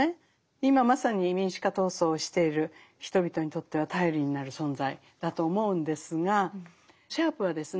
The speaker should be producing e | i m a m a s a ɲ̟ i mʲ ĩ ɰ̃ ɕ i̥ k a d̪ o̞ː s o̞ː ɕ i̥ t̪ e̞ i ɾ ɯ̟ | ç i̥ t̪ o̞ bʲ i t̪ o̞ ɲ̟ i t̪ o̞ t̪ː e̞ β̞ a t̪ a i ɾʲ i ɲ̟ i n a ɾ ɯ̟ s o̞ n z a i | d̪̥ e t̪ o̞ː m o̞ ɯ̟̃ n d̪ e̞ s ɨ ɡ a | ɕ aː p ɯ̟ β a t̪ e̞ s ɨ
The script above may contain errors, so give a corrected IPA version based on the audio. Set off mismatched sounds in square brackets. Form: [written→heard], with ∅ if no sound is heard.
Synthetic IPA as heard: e | i m a m a s a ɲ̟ i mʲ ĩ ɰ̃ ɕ i̥ k a [d̪→t̪] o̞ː s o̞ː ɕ i̥ t̪ e̞ i ɾ ɯ̟ | ç i̥ t̪ o̞ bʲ i t̪ o̞ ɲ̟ i t̪ o̞ t̪ː e̞ β̞ a t̪ a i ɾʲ i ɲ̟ i n a ɾ ɯ̟ s [o̞→õ̞] n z a i | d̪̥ [e→a] t̪ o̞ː m o̞ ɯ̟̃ n d̪ e̞ s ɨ ɡ a | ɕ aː p ɯ̟ β a [t̪→d̪] e̞ s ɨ